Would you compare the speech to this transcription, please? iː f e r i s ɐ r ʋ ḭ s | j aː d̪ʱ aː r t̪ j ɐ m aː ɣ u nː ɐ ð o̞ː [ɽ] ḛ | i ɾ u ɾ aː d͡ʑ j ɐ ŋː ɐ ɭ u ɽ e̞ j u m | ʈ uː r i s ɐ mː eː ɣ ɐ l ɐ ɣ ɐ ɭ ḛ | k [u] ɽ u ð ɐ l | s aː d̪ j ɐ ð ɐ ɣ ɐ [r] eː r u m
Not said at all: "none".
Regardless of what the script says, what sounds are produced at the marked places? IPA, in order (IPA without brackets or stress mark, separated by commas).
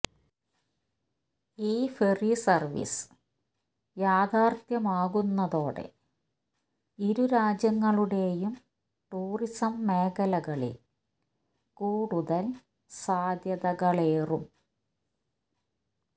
ɽ, uː, ɭ